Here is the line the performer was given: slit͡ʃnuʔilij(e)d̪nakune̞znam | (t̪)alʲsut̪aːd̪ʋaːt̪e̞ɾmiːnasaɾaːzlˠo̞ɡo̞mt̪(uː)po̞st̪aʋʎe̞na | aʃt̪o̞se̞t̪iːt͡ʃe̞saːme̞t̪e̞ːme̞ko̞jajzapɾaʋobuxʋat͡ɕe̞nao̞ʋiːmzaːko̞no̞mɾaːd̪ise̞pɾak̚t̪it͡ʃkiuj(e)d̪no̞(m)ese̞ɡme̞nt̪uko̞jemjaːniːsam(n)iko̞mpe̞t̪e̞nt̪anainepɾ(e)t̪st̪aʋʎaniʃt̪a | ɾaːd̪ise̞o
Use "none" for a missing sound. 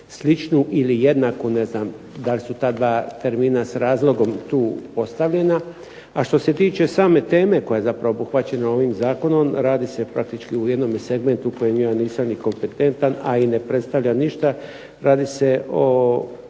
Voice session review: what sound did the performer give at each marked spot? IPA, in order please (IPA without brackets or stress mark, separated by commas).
e, d̪, uː, e, m, n, e